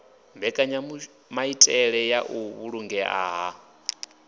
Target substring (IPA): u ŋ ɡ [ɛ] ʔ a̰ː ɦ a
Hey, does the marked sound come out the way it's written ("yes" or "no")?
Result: yes